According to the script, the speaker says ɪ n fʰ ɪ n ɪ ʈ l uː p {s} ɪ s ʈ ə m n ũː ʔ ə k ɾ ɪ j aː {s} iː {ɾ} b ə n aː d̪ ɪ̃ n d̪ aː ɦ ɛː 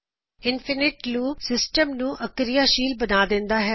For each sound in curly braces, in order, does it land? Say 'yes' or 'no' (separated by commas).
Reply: yes, no, no